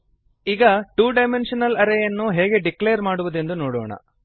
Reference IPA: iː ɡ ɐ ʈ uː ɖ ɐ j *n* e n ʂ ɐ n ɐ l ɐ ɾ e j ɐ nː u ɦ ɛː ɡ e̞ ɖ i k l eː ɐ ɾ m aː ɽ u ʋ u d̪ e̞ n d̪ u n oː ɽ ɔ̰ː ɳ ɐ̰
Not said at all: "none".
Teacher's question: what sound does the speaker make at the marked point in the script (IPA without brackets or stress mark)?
m